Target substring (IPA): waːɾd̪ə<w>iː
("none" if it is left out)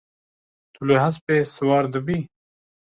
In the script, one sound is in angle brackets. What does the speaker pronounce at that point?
b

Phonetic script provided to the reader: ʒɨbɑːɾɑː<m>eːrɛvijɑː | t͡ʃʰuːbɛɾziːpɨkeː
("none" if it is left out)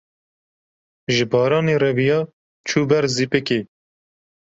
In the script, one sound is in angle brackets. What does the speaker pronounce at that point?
n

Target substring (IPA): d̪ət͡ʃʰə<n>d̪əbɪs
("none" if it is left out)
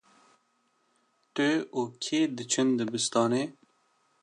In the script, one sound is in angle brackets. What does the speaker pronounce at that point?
n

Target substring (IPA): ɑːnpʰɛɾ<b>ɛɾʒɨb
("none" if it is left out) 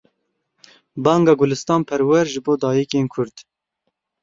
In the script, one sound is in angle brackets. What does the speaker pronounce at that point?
w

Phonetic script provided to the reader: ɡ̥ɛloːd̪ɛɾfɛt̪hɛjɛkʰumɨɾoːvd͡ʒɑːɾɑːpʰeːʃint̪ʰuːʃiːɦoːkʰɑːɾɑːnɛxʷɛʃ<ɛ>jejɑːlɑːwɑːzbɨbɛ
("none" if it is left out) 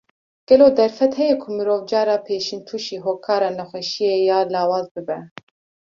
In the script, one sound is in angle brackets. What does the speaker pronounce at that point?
i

